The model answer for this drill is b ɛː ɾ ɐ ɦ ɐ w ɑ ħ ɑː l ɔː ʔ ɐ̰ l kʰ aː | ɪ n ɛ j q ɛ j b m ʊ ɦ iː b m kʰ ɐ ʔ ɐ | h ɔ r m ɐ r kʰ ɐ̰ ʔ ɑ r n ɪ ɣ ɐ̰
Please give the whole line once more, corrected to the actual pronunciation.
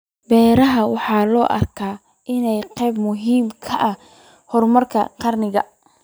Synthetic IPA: b ɛː ɾ ɐ ɦ ɐ w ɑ ħ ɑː l ɔː ʔ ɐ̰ r kʰ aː | ɪ n ɛ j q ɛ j b m ʊ ɦ iː m kʰ ɐ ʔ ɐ | h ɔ r m ɐ r kʰ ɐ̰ q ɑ r n ɪ ɣ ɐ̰